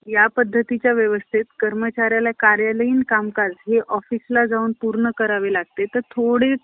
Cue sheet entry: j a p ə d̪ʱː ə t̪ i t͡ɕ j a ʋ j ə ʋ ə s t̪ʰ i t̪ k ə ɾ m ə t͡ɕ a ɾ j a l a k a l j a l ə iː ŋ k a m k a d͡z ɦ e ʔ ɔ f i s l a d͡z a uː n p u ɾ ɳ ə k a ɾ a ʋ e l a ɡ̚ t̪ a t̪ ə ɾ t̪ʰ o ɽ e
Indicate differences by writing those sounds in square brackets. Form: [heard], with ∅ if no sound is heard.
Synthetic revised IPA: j a p ə d̪ʱː ə t̪ i t͡ɕ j a ʋ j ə ʋ ə s t̪ʰ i t̪ k ə ɾ m ə t͡ɕ a ɾ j a l a k a [ɾ] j a l ə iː [n] k a m k a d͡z ɦ e ʔ ɔ f i s l a d͡z a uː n p u ɾ ɳ ə k [ə] ɾ a ʋ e l a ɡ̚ t̪ [e] t̪ ə ɾ t̪ʰ o ɽ e